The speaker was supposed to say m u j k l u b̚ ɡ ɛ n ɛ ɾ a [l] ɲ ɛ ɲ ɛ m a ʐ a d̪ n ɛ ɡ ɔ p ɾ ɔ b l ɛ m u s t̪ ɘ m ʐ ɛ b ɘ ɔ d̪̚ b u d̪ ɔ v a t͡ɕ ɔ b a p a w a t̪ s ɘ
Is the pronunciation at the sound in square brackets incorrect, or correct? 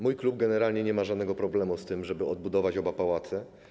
correct